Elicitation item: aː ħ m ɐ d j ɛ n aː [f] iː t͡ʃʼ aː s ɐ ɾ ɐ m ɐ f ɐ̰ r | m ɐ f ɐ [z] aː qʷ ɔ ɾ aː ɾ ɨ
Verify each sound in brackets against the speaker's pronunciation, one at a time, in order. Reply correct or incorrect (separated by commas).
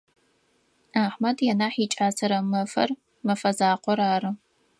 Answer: incorrect, correct